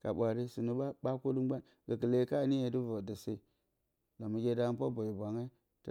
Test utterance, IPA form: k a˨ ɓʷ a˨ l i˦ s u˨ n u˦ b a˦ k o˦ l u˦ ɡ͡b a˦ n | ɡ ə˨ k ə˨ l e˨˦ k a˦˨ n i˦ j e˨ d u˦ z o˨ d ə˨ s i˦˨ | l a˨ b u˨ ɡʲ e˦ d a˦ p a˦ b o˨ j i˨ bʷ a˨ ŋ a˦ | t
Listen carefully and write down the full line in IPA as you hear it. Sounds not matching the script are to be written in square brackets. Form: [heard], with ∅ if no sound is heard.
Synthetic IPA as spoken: k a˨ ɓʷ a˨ [ɾ] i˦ s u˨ n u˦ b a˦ k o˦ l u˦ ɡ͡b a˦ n | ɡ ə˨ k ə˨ l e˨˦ k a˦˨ n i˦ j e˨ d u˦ [v] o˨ d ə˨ s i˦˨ | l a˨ [m] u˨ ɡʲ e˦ d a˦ p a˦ b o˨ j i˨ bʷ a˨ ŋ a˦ | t